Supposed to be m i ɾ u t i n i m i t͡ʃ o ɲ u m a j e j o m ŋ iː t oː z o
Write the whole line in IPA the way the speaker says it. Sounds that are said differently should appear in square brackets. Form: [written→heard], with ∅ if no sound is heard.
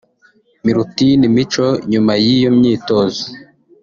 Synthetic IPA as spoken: m i ɾ u t i n i m i t͡ʃ o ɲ u m a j [e→i] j o m [ŋ→ɲ] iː t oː z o